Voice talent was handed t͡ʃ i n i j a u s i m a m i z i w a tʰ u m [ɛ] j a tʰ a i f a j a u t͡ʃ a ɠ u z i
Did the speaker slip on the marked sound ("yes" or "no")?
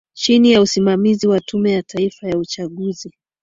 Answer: no